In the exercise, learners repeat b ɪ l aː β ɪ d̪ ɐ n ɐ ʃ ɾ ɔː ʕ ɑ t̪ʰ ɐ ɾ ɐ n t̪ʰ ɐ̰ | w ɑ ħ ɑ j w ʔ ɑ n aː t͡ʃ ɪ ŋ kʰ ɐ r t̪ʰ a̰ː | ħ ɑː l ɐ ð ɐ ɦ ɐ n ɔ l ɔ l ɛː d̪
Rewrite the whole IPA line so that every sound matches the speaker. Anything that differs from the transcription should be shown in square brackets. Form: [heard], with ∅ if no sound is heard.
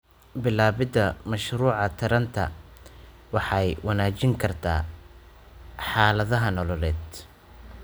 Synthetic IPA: b ɪ l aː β ɪ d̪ ɐ [m] ɐ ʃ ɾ [uː] ʕ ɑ t̪ʰ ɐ ɾ ɐ n t̪ʰ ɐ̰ | w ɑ ħ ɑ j w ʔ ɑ n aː t͡ʃ ɪ ŋ kʰ ɐ r t̪ʰ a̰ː | ħ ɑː l ɐ ð ɐ ɦ ɐ n ɔ l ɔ l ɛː d̪

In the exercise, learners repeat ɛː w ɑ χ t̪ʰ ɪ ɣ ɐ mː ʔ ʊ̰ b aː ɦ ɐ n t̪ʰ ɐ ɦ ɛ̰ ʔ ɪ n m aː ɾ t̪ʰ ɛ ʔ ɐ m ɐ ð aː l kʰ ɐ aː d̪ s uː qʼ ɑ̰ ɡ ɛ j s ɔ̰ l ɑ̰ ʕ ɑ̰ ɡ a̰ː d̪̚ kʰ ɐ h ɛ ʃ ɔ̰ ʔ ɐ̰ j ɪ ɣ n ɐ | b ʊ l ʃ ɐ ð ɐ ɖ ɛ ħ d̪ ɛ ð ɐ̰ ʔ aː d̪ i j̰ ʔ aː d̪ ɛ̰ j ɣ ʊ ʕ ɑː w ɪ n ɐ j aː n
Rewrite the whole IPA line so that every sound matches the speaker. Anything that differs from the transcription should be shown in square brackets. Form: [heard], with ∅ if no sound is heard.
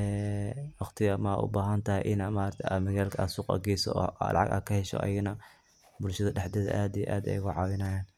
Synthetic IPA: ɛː w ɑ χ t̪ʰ ɪ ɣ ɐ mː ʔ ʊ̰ b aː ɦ ɐ n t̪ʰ ɐ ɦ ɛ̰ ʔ ɪ n m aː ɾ t̪ʰ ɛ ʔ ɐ m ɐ [ɣ] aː l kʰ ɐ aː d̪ s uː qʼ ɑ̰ ɡ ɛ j s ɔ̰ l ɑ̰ ʕ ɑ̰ ɡ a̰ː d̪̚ kʰ ɐ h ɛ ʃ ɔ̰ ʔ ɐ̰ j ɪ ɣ n ɐ | b ʊ l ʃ ɐ ð ɐ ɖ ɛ ħ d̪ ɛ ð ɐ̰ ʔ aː d̪ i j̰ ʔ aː d̪ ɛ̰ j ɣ ʊ ʕ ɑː w ɪ n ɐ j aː n

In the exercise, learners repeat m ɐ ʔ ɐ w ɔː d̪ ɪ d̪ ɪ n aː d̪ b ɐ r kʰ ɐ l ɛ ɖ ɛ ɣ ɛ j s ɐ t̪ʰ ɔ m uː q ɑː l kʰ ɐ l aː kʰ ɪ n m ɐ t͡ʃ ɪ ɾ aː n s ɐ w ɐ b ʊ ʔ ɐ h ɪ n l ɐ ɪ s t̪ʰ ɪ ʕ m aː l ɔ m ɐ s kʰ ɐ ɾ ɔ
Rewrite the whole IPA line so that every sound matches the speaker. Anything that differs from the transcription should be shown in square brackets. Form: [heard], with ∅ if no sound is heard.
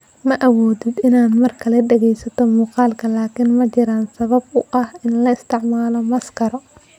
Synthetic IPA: m ɐ ʔ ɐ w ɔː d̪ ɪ d̪ ɪ n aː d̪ [m] ɐ r kʰ ɐ l ɛ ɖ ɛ ɣ ɛ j s ɐ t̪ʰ ɔ m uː q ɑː l kʰ ɐ l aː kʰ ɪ n m ɐ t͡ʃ ɪ ɾ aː n s ɐ [β] ɐ b ʊ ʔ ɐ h ɪ n l ɐ ɪ s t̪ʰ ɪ ʕ m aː l ɔ m ɐ s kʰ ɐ ɾ ɔ

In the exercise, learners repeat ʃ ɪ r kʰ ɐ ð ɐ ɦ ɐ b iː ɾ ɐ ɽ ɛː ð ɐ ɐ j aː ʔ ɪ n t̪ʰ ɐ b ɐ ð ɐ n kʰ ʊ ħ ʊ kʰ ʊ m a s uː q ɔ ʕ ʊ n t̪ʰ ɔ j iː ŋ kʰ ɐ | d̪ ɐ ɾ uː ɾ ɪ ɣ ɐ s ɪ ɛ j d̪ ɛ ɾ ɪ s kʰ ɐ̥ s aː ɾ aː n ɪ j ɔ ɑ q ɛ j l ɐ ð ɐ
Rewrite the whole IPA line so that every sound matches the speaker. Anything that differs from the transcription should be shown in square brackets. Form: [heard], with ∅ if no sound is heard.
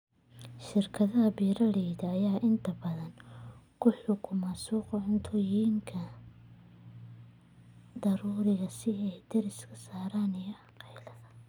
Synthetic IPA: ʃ ɪ r kʰ ɐ ð ɐ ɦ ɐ b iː ɾ ɐ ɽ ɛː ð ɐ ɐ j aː ʔ ɪ n t̪ʰ ɐ b ɐ ð ɐ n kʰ ʊ ħ ʊ kʰ ʊ m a s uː q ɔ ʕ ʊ n t̪ʰ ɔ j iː ŋ kʰ ɐ | d̪ ɐ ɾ uː ɾ ɪ ɣ ɐ s ɪ ɛ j d̪ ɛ ɾ ɪ s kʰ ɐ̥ s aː ɾ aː n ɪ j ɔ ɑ q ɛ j l ɐ ð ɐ

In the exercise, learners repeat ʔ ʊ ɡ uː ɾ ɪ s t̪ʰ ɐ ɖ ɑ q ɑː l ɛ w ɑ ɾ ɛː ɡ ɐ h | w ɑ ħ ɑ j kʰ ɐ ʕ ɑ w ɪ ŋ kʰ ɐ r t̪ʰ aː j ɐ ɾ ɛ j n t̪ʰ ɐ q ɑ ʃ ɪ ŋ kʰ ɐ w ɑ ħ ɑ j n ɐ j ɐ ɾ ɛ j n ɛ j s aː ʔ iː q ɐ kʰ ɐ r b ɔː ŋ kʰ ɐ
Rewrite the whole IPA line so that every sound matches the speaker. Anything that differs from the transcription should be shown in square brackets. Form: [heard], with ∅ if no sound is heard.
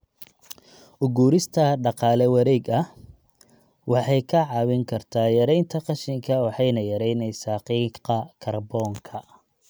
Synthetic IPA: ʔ ʊ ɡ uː ɾ ɪ s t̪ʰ ɐ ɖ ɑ q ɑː l ɛ w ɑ ɾ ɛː ɡ ɐ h | w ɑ ħ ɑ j kʰ ɐ ʕ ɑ w ɪ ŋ kʰ ɐ r t̪ʰ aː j ɐ ɾ ɛ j n t̪ʰ ɐ q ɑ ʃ ɪ ŋ kʰ ɐ w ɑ ħ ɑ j n ɐ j ɐ ɾ ɛ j n ɛ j s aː [q] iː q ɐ kʰ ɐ r b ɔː ŋ kʰ ɐ

